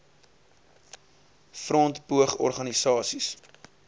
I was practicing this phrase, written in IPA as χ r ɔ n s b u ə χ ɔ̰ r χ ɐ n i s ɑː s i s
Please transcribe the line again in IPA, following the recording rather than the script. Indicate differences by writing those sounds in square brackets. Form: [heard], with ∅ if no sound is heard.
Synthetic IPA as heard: [f] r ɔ n [t] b u ə χ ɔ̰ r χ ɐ n i s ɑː s i s